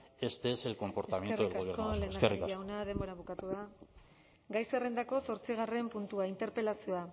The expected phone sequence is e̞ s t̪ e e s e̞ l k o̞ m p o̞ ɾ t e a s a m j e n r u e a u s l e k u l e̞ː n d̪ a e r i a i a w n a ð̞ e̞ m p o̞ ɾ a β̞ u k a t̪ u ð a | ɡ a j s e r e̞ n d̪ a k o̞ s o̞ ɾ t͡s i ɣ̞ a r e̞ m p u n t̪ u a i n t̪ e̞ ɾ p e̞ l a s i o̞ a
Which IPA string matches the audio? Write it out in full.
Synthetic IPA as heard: e̞ s t̪ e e s e̞ l k o̞ m p o̞ ɾ t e a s a m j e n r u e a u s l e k o l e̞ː n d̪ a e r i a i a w n a ð̞ e̞ m b o̞ ɾ a β̞ u k a t̪ u ð a | ɡ a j s e r e̞ n d̪ a k o̞ s o̞ ɾ t͡s i ɣ̞ a r e̞ m p u n t̪ u a i n t̪ e̞ ɾ p e̞ l a s i o̞ a